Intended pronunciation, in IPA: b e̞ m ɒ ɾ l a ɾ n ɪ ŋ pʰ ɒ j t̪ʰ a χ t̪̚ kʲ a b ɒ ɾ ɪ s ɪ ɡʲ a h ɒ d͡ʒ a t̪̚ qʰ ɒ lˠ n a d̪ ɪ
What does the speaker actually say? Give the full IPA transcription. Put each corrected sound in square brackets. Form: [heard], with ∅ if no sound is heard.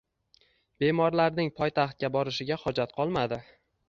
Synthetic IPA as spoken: b e̞ m ɒ ɾ l a ɾ n ɪ ŋ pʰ ɒ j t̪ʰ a χ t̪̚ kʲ a b ɒ ɾ ɪ [ʃ] ɪ ɡʲ a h ɒ d͡ʒ a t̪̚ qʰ ɒ lˠ [m] a d̪ ɪ